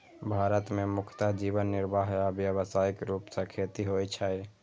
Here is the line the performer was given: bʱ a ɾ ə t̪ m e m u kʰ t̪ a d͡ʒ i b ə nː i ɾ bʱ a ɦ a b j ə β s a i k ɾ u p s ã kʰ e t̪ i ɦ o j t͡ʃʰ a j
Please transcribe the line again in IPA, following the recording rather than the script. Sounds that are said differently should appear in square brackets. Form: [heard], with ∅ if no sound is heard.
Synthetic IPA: bʱ a ɾ ə t̪ m e m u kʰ t̪ a d͡ʒ i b ə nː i ɾ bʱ a ɦ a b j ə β s a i k ɾ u p s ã kʰ e t̪ i ɦ o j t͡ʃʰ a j